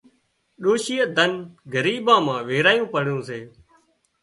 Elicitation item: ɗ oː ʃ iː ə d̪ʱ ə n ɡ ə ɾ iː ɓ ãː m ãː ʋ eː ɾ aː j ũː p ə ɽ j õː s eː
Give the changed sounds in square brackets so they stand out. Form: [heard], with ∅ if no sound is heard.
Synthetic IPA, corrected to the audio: ɗ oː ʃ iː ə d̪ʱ ə n ɡ ə ɾ iː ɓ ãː m ãː ʋ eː ɾ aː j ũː p ə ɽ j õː s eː